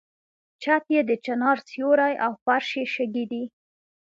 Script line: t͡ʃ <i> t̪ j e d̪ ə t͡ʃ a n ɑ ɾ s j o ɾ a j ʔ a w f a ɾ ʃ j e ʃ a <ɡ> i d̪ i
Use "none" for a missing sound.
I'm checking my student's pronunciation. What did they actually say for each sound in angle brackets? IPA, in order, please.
a, ɡ

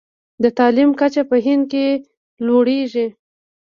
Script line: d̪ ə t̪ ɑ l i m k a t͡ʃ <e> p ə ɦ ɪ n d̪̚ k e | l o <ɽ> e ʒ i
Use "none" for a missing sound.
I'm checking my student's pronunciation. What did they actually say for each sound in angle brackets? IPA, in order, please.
a, ɽ

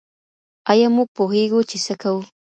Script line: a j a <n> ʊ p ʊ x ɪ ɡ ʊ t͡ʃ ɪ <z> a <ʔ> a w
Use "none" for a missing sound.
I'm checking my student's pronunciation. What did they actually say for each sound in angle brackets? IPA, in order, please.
m, s, k

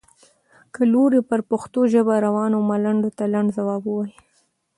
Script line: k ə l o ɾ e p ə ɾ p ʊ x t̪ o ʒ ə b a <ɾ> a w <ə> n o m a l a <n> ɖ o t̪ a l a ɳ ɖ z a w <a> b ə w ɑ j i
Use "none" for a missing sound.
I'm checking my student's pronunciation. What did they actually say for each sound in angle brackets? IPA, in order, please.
ɾ, ɑ, ɳ, ɑ

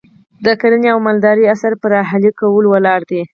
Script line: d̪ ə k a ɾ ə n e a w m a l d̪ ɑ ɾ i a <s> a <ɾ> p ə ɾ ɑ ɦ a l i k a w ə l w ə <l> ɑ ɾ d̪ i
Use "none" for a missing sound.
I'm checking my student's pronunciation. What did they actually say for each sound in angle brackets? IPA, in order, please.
s, ɾ, l

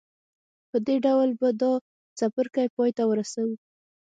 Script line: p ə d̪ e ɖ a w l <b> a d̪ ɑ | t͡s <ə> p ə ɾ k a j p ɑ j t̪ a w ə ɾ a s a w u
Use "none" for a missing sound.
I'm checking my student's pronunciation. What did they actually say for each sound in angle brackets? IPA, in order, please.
b, a

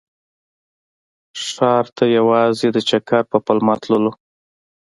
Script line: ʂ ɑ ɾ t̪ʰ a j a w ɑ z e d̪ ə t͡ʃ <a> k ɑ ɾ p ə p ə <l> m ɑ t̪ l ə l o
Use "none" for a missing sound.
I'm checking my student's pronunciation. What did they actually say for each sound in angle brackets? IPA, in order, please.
a, l

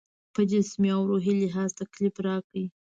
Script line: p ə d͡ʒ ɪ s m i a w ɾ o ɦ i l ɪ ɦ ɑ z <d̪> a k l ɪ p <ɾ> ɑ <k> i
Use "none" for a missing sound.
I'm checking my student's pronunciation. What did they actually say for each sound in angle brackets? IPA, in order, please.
t̪, ɾ, k

